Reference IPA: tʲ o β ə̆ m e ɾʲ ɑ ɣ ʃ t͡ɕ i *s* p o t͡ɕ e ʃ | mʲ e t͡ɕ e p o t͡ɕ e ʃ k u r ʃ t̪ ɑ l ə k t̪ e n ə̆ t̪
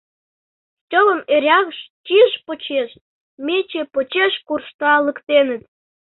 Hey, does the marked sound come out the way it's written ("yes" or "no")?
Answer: no